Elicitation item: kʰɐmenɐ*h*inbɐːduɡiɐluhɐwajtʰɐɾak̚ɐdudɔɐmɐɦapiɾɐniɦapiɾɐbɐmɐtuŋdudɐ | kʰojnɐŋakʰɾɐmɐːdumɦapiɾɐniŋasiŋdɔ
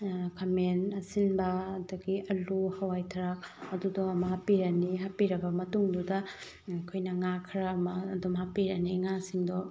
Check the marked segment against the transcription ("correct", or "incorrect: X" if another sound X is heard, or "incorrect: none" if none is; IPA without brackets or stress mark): incorrect: s